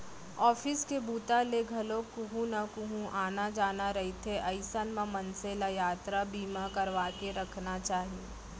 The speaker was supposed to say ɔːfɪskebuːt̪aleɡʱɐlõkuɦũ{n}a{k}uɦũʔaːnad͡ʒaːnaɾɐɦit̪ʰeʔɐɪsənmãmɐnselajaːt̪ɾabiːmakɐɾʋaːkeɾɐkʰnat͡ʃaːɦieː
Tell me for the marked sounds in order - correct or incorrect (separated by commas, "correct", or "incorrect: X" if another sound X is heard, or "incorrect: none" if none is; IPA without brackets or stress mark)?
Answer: correct, correct